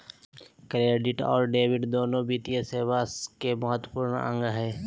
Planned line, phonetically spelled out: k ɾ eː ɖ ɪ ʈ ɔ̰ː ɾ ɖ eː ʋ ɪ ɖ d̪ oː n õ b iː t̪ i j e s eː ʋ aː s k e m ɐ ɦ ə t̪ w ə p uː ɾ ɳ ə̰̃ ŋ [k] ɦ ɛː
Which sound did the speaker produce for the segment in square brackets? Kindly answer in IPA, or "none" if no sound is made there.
ɡ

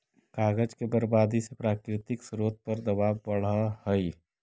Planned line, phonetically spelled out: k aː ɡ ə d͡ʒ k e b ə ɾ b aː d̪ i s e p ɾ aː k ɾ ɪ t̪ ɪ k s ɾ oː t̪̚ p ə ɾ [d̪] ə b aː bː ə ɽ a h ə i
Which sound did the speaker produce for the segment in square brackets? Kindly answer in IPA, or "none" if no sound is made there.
d̪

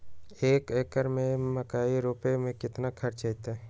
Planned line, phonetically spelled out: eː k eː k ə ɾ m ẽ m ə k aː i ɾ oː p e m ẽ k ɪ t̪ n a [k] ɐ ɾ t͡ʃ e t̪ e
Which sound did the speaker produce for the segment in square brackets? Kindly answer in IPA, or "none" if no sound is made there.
kʰ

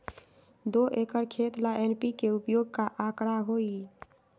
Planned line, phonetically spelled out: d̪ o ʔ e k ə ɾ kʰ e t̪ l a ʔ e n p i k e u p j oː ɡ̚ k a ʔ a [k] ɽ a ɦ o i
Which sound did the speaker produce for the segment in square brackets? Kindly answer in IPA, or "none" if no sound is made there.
k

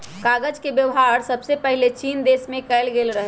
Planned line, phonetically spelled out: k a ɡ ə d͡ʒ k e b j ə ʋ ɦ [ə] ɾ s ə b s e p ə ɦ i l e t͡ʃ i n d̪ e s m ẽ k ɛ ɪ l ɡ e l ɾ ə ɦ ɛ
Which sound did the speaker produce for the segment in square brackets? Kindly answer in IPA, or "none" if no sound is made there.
a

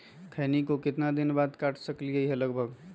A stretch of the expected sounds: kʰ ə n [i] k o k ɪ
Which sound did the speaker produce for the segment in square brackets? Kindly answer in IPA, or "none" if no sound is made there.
i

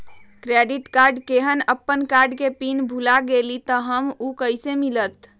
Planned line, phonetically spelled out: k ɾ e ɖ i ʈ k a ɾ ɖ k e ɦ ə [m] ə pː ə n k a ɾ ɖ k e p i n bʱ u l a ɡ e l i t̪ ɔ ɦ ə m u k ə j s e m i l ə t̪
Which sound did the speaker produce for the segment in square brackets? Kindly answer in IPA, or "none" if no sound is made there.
n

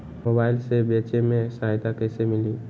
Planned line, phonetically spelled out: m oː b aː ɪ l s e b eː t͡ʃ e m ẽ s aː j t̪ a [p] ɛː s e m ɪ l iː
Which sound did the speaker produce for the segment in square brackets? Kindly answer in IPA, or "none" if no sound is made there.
k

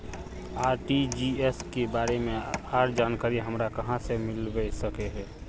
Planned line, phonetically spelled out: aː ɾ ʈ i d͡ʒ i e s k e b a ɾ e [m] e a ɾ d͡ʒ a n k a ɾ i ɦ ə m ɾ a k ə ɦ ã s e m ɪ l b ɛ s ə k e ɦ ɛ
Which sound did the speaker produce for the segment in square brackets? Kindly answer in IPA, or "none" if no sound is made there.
m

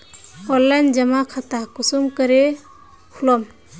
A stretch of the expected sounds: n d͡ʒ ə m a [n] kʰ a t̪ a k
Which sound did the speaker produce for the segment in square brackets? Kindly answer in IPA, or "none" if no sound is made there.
none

